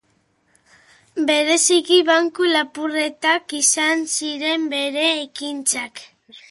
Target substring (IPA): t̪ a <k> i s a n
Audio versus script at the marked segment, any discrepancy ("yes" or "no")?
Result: no